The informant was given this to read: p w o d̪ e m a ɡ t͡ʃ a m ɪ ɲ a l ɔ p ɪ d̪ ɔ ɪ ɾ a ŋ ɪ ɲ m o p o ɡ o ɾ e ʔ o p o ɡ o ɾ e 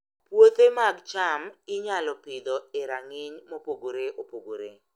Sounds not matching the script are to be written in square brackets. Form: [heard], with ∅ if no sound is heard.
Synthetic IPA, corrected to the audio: p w o [t̪] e m a ɡ t͡ʃ a m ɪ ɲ a l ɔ p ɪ d̪ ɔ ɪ ɾ a ŋ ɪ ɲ m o p o ɡ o ɾ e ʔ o p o ɡ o ɾ e